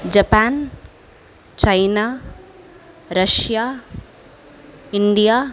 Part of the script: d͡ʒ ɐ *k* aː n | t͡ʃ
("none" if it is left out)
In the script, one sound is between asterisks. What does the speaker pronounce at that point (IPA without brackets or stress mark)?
p